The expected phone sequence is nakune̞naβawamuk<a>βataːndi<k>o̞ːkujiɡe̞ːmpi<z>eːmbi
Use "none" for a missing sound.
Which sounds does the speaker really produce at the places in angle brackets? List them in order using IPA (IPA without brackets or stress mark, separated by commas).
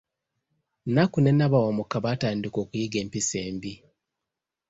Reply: a, k, s